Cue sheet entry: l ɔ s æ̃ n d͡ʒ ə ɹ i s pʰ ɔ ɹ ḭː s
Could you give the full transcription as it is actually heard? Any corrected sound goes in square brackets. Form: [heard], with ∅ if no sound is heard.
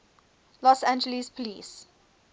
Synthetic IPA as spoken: l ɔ s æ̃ n d͡ʒ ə [l] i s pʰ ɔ [l] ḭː s